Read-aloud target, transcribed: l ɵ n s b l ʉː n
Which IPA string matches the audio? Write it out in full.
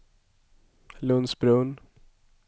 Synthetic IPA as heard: l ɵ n s b ɾ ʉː n